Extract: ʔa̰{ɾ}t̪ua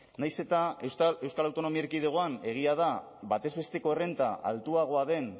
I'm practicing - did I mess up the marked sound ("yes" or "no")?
yes